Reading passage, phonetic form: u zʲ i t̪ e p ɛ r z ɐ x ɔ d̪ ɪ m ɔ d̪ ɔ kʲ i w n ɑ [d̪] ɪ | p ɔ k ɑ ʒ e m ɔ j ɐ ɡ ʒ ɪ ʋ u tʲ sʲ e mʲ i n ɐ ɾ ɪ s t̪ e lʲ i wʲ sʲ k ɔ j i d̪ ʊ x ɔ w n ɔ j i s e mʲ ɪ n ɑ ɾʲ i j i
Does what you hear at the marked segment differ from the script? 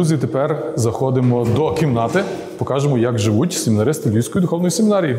yes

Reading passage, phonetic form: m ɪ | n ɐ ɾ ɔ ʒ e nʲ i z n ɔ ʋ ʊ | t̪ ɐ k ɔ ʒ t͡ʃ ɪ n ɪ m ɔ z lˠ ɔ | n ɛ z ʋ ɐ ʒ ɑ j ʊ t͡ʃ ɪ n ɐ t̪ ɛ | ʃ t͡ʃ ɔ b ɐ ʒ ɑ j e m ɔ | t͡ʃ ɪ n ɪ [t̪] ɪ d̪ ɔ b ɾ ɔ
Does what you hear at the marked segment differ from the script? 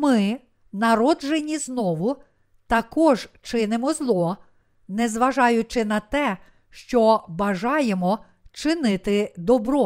no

